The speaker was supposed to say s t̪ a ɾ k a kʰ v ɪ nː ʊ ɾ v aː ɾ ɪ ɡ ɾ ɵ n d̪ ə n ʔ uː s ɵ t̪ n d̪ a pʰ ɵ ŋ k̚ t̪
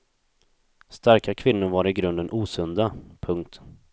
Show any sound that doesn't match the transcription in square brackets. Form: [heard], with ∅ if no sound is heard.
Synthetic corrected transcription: s t̪ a ɾ k a kʰ v ɪ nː ʊ ɾ v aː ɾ ɪ ɡ ɾ ɵ n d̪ ə n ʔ uː s ɵ [∅] n d̪ a pʰ ɵ ŋ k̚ t̪